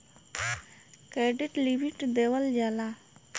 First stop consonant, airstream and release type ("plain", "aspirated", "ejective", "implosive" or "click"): plain